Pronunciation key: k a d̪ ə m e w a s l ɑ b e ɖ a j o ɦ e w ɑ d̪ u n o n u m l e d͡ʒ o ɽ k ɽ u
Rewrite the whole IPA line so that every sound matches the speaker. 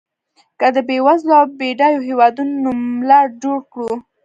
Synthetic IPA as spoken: k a d̪ ə b e w a z l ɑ b e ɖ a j o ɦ e w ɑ d̪ u n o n u m l a d͡ʒ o ɽ k ɽ u